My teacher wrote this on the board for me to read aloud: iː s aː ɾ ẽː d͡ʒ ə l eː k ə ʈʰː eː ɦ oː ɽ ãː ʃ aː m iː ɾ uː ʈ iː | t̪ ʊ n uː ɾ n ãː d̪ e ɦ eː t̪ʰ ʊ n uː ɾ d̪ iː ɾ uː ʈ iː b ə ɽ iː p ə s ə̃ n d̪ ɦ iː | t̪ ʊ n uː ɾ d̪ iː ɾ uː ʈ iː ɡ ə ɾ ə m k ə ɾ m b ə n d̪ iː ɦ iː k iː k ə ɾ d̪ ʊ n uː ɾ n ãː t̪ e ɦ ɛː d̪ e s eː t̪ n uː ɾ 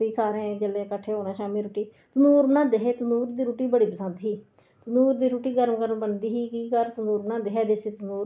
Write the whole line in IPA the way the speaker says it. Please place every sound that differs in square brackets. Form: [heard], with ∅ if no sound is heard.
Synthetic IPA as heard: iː s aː ɾ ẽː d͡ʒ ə l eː k ə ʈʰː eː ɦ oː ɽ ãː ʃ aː m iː ɾ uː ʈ iː | t̪ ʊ n uː ɾ n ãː d̪ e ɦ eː [t̪] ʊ n uː ɾ d̪ iː ɾ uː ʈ iː b ə ɽ iː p ə s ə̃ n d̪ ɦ iː | t̪ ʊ n uː ɾ d̪ iː ɾ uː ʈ iː ɡ ə ɾ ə m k ə ɾ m b ə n d̪ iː ɦ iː k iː k ə ɾ [t̪] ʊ n uː ɾ n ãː [d̪] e ɦ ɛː d̪ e s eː t̪ n uː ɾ